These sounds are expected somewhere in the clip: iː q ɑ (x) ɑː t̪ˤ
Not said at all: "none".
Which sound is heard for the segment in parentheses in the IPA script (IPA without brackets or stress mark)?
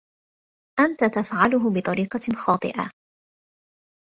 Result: x